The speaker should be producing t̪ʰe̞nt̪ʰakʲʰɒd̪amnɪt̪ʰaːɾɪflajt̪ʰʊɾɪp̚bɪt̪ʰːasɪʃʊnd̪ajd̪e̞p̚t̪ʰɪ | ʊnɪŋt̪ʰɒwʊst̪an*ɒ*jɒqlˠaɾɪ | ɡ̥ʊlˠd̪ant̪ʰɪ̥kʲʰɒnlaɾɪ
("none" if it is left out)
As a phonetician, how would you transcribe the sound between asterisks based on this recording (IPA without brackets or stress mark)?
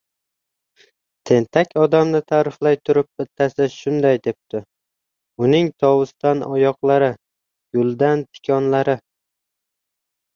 ɒ